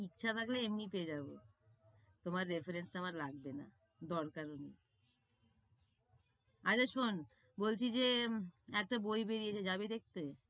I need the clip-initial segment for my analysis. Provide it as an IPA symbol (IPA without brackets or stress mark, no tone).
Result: i